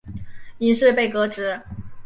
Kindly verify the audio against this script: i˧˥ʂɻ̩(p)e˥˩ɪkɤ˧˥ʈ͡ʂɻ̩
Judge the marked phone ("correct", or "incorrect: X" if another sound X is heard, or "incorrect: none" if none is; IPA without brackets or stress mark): correct